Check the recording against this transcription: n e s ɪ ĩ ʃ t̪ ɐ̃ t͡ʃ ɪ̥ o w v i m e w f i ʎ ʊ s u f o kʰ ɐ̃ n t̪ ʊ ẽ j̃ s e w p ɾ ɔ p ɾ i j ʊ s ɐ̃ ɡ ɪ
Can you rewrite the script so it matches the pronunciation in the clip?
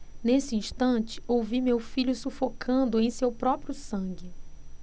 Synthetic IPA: n e s ɪ ĩ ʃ t̪ ɐ̃ t͡ʃ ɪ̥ o w v i m e w f i ʎ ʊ s u f o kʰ ɐ̃ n d̪ ʊ ẽ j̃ s e w p ɾ ɔ p ɾ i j ʊ s ɐ̃ ɡ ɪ